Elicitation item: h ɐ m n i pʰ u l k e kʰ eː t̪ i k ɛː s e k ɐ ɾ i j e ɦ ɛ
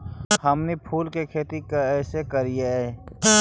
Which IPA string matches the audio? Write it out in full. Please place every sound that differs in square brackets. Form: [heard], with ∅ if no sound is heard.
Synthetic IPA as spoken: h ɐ m n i pʰ [uː] l k e kʰ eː t̪ i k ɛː s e k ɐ ɾ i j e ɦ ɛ